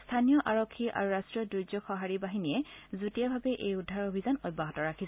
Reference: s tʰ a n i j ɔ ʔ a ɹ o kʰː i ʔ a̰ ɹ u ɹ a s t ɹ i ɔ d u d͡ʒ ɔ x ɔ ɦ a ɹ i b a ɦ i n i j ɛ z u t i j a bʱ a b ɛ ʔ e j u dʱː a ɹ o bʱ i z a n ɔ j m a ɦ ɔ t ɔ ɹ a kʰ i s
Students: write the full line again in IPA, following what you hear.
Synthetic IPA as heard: s tʰ a n i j ɔ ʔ a ɹ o kʰː i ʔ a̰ ɹ u ɹ a s t ɹ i ɔ d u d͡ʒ ɔ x ɔ ɦ a ɹ i b a ɦ i n i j ɛ z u t i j a bʱ a b ɛ ʔ e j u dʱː a ɹ o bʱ i z a n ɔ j b a ɦ ɔ t ɔ ɹ a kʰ i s